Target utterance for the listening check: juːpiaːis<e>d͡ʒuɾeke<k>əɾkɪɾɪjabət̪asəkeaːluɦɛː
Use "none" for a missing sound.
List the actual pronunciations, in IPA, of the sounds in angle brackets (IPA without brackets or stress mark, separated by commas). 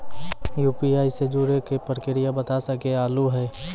e, p